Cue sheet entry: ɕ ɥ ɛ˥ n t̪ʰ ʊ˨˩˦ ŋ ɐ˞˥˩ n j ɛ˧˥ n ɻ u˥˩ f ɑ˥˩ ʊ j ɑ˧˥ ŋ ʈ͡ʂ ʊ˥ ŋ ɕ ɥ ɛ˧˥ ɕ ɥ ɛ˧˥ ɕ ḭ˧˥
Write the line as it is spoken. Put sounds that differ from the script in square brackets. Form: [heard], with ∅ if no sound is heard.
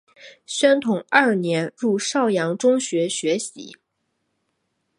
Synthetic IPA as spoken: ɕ ɥ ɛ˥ n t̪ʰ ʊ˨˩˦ ŋ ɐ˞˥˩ n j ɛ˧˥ n ɻ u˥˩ [ʂ] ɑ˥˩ ʊ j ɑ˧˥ ŋ ʈ͡ʂ ʊ˥ ŋ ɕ ɥ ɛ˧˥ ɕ ɥ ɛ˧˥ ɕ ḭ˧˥